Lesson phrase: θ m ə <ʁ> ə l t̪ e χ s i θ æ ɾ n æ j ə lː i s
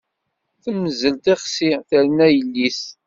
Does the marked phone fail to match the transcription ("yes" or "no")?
yes